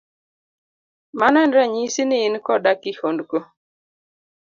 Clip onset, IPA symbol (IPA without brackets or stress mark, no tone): m